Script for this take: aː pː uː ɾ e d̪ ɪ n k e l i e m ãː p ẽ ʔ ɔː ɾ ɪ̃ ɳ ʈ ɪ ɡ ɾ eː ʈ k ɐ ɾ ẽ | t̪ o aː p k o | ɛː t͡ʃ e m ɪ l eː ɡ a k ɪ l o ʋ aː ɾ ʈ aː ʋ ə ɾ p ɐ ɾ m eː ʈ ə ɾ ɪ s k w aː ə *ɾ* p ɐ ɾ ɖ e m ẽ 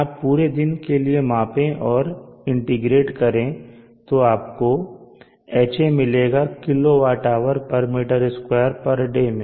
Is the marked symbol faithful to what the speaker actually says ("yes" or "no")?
yes